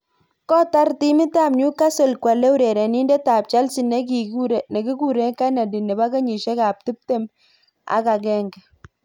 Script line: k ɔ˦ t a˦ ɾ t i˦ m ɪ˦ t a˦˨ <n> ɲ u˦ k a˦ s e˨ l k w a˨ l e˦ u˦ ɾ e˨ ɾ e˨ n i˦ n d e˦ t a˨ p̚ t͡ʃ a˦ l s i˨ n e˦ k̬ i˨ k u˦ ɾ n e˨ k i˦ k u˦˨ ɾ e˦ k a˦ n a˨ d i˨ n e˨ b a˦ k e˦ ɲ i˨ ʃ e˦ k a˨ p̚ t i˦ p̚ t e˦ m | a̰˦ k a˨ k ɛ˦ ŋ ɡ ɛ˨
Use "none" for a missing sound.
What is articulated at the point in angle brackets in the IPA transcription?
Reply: m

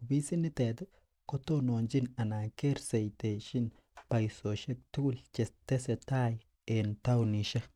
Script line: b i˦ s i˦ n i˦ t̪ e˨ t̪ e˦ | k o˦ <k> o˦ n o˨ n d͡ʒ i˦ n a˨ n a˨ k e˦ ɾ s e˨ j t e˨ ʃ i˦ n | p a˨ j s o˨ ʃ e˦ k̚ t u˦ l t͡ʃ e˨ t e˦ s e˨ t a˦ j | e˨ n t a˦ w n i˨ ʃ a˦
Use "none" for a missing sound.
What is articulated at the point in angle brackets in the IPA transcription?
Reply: t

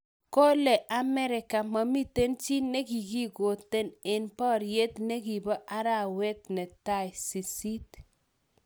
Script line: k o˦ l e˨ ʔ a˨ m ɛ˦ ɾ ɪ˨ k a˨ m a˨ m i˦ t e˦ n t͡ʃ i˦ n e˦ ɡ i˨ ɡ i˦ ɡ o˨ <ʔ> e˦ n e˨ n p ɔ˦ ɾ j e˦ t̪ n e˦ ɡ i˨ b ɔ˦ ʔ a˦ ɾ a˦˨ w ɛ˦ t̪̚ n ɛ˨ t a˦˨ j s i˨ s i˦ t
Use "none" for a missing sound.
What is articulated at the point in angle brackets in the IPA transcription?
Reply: t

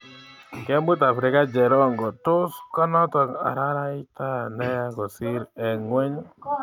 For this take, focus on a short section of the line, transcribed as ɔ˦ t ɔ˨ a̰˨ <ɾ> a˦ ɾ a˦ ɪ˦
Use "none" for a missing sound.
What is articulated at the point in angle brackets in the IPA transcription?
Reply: ɾ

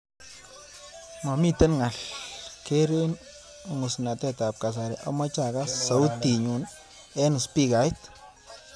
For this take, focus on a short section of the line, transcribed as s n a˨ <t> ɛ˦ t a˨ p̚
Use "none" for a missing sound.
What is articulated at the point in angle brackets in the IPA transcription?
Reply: t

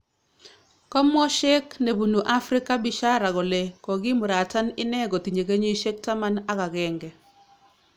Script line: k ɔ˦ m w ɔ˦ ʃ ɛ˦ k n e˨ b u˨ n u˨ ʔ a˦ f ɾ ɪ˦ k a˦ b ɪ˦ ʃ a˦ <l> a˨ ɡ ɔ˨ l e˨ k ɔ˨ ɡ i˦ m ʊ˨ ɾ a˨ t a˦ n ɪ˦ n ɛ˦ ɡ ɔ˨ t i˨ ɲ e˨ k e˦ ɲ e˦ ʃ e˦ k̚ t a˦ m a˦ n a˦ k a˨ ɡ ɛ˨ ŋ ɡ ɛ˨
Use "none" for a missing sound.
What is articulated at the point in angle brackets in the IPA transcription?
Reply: ɾ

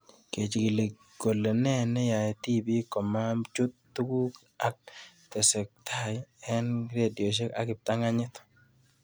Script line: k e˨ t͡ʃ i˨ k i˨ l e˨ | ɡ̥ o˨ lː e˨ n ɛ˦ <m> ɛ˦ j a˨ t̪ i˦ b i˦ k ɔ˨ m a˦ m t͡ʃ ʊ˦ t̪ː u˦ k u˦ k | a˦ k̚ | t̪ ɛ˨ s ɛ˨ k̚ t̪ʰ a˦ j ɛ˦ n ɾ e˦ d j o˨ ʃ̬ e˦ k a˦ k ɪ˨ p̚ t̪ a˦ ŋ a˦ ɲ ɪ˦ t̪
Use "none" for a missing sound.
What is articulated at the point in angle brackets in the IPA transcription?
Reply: n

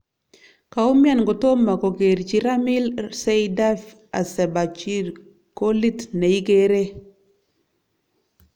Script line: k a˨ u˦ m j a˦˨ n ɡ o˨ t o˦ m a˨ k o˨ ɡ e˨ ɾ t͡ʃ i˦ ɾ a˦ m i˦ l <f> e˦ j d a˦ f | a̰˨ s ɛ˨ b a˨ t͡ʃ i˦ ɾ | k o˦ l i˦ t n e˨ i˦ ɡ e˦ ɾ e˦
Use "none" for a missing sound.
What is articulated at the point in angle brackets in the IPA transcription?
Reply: s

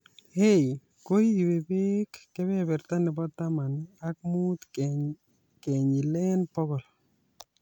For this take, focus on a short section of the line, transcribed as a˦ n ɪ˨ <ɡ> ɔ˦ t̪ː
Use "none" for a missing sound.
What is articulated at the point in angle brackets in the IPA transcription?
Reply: b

